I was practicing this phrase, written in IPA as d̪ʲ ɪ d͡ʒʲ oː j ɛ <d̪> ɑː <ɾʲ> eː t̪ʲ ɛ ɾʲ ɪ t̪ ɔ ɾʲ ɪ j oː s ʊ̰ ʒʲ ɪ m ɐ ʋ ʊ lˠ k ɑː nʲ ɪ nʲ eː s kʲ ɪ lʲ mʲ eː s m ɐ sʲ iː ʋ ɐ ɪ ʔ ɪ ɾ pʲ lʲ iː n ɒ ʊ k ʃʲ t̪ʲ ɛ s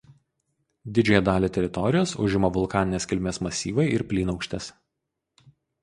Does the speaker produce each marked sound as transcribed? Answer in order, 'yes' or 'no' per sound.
yes, no

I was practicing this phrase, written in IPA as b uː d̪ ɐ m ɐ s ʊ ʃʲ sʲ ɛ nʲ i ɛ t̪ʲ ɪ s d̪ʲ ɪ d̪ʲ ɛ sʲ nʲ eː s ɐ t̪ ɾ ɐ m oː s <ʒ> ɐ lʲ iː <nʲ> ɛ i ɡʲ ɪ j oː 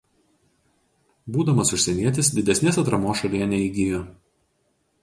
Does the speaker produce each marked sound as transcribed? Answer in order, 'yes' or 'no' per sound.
no, yes

